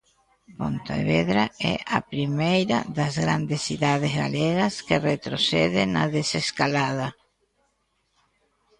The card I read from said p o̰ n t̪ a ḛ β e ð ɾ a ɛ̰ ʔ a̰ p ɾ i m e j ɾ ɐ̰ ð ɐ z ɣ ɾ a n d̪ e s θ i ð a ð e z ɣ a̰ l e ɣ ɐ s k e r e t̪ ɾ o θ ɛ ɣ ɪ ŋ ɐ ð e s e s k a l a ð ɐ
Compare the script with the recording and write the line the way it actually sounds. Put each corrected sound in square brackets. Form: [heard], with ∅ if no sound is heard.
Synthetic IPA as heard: p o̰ n t̪ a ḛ β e ð ɾ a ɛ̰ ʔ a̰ p ɾ i m e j ɾ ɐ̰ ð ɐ z ɣ ɾ a n d̪ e s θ i ð a ð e z ɣ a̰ l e ɣ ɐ s k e r e t̪ ɾ o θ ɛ [ð] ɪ [n] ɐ ð e s e s k a l a ð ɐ